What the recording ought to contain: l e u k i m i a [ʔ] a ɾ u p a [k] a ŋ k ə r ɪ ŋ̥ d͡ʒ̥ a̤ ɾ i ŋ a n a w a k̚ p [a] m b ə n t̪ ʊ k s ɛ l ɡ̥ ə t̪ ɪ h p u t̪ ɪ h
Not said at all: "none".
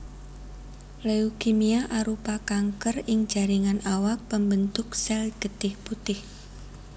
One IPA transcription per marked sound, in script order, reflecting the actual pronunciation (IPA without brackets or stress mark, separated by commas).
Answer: ʔ, k, ə